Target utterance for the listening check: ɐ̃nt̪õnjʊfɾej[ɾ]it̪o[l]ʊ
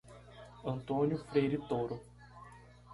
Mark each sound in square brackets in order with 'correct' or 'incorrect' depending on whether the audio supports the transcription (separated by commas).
correct, incorrect